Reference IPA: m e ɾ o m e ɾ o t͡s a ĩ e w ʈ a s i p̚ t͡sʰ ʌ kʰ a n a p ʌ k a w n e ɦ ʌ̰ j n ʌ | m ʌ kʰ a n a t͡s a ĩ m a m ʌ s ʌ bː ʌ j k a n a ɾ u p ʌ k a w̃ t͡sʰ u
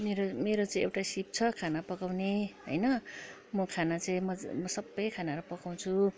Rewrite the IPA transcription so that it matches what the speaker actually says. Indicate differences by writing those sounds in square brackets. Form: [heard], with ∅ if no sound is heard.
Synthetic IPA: m e ɾ o m e ɾ o t͡s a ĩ e w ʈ a s i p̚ t͡sʰ ʌ kʰ a n a p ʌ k a w n e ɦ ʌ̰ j n ʌ | m ʌ kʰ a n a t͡s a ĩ m [ʌ] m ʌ s ʌ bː ʌ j [kʰ] a n a ɾ u p ʌ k a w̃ t͡sʰ u